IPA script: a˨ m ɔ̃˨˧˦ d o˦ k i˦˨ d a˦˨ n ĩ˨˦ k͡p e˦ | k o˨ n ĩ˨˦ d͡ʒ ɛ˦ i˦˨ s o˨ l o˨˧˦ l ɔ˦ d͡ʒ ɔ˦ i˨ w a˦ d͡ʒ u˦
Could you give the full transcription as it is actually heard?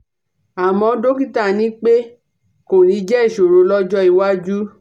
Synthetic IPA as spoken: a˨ m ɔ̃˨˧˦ d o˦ k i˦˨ t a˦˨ n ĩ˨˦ k͡p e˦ | k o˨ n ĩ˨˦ d͡ʒ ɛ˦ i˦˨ ʃ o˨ ɾ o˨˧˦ l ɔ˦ d͡ʒ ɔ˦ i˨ w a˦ d͡ʒ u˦